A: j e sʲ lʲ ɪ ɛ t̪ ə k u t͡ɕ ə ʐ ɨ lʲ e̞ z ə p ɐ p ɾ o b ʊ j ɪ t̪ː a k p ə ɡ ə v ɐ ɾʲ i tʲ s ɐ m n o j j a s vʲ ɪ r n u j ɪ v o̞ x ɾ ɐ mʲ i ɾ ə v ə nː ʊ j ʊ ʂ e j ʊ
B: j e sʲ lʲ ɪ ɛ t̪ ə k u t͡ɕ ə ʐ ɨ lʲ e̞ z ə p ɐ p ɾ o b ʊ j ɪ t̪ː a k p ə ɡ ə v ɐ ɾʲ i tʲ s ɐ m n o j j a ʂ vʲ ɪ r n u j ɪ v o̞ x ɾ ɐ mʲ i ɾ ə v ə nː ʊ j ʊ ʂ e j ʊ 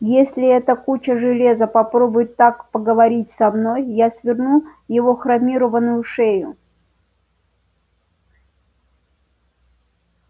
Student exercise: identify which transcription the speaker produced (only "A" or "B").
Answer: A